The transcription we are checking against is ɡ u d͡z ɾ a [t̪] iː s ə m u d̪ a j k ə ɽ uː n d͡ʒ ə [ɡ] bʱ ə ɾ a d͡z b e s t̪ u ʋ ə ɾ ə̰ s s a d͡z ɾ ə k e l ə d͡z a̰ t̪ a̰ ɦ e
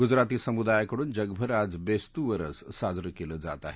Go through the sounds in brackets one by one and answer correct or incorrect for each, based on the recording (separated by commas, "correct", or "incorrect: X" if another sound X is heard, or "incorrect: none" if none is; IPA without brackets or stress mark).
correct, correct